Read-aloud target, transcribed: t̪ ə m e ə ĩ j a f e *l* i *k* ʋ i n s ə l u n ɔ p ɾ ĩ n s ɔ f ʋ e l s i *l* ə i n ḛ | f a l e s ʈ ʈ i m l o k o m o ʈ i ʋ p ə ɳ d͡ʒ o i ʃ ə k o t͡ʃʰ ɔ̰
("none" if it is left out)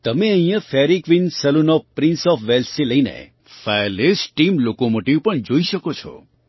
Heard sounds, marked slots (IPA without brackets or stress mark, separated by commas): ɾ, k, l